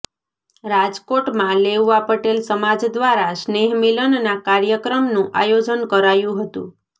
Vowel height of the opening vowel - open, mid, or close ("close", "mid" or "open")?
open